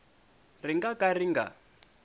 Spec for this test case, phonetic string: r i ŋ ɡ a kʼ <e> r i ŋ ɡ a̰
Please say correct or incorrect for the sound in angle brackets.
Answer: incorrect